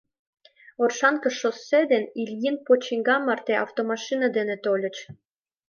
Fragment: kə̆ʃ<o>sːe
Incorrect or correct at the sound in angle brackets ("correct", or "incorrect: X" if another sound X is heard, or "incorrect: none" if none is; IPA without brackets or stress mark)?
correct